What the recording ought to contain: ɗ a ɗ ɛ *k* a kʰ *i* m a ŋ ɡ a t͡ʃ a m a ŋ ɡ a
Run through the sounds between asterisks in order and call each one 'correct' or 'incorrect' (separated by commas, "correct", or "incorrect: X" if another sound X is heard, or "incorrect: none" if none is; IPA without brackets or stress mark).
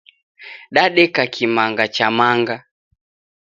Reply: correct, correct